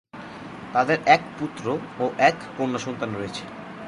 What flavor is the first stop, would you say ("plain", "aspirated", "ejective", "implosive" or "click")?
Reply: plain